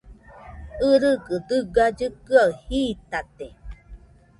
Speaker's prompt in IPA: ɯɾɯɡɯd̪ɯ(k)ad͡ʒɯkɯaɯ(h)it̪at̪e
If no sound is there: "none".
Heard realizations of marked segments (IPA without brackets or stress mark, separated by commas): ɡ, h